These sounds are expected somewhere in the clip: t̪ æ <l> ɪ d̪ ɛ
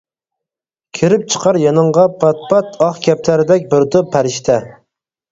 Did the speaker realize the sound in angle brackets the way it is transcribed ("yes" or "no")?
no